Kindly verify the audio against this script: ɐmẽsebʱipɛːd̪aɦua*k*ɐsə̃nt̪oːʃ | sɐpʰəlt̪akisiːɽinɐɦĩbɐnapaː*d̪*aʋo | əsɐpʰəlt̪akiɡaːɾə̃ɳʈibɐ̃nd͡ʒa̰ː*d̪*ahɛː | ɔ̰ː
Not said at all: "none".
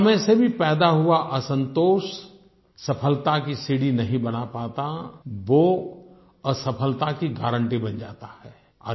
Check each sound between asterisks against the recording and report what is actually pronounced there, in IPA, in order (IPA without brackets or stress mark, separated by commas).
ʔ, t̪, t̪